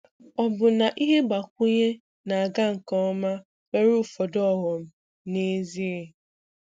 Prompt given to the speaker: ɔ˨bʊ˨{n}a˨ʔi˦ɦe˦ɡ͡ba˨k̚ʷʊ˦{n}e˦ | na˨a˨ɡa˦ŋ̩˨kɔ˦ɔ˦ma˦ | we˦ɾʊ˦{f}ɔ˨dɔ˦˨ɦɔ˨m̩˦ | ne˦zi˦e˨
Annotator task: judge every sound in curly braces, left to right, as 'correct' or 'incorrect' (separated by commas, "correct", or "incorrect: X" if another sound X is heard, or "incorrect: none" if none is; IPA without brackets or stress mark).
correct, incorrect: ɲ, correct